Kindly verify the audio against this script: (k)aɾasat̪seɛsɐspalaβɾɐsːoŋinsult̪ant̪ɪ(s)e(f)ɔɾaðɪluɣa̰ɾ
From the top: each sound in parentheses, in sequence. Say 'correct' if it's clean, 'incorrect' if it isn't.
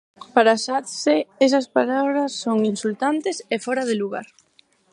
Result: incorrect, correct, correct

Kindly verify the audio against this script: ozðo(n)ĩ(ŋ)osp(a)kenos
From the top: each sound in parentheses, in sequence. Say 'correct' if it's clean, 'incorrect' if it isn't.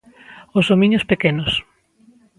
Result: incorrect, incorrect, incorrect

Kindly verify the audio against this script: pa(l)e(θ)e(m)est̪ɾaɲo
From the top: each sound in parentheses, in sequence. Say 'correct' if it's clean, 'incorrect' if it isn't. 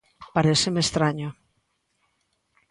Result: incorrect, incorrect, correct

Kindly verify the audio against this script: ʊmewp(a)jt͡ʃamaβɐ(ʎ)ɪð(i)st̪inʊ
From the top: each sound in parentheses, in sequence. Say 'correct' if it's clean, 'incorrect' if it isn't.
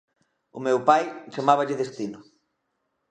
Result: correct, correct, incorrect

